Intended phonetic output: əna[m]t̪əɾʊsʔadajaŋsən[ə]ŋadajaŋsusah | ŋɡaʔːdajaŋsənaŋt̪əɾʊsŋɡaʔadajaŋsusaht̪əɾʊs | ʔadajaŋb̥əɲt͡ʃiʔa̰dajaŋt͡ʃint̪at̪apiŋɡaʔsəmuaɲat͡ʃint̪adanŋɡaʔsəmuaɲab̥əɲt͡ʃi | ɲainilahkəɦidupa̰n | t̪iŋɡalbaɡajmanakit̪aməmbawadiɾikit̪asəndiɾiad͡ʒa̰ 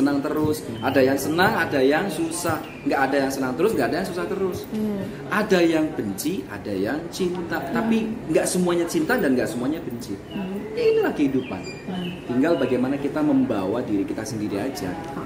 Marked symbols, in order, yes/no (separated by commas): no, no